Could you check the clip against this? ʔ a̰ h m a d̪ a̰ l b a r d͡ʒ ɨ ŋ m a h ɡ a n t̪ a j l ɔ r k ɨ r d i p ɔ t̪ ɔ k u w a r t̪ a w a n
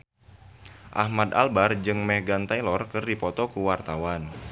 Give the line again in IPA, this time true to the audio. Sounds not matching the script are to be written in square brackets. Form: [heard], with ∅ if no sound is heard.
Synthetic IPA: ʔ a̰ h m a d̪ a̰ l b a r d͡ʒ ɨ ŋ m [ɛ] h ɡ a n t̪ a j l ɔ r k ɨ r d i p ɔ t̪ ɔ k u w a r t̪ a w a n